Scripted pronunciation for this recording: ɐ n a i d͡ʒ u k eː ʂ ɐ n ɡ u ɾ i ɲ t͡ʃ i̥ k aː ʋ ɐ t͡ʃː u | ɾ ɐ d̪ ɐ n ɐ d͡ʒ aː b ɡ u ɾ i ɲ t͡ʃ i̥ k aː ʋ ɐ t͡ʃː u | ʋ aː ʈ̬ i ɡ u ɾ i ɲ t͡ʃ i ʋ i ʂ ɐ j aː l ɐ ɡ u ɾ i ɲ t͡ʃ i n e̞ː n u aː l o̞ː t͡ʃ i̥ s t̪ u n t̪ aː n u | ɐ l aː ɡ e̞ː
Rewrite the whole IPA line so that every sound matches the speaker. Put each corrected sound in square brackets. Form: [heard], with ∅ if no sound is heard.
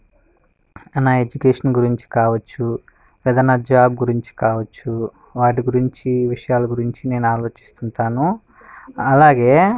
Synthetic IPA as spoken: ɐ n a [e] d͡ʒ u k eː ʂ ɐ n ɡ u ɾ i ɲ t͡ʃ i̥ k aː ʋ ɐ t͡ʃː u | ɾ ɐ d̪ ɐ n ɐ d͡ʒ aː b ɡ u ɾ i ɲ t͡ʃ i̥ k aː ʋ ɐ t͡ʃː u | ʋ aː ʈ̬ i ɡ u ɾ i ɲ t͡ʃ i ʋ i ʂ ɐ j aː l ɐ ɡ u ɾ i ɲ t͡ʃ i n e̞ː n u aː l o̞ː t͡ʃ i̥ s t̪ u n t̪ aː n u | ɐ l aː ɡ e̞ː